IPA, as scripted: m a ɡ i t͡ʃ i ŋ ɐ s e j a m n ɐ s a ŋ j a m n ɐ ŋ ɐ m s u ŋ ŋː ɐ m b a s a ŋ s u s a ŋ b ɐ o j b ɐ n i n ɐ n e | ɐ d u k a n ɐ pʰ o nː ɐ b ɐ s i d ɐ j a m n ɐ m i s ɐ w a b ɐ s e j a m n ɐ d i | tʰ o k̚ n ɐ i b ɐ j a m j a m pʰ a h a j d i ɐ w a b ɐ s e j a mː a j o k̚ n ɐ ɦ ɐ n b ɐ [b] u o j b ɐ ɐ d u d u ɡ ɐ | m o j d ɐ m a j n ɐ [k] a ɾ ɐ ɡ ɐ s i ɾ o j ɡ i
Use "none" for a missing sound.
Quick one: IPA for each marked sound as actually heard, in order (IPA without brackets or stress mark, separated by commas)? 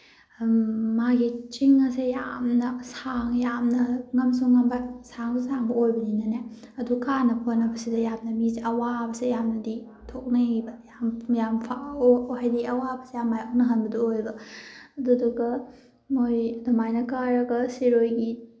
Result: d, k